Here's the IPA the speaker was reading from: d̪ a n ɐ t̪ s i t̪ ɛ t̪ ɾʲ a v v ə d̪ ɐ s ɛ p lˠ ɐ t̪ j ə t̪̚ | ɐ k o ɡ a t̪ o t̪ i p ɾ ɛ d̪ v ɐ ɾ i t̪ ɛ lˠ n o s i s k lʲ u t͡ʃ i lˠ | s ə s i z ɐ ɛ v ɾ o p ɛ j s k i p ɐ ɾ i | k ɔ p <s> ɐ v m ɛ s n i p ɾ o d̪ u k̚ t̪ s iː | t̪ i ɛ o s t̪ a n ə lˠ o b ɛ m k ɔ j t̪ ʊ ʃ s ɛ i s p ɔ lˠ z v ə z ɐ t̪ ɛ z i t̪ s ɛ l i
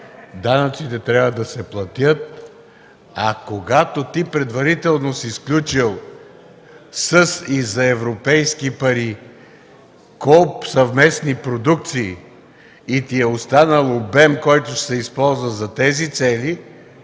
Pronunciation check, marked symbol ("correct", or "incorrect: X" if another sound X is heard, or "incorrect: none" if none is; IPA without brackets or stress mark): correct